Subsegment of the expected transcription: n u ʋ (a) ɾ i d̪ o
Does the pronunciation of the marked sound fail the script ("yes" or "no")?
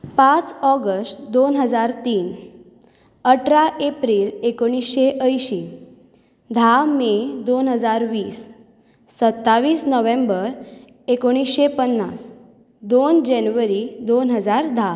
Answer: yes